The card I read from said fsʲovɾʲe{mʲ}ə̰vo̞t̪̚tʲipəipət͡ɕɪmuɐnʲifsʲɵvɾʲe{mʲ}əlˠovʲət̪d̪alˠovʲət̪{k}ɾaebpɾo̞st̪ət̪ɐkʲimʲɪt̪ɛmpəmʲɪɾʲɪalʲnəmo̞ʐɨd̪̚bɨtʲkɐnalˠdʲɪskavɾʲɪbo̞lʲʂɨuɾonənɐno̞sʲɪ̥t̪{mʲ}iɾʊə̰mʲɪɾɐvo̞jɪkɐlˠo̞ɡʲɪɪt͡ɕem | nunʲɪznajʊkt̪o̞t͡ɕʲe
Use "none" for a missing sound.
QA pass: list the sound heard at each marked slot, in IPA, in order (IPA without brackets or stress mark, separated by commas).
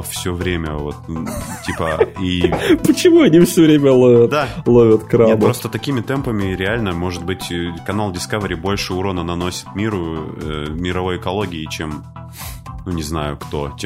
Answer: mʲ, mʲ, k, mʲ